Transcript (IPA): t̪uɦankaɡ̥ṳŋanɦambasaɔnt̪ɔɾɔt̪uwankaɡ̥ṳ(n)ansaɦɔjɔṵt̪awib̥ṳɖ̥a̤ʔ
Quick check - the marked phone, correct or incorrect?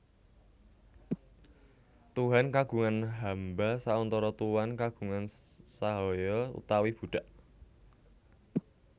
incorrect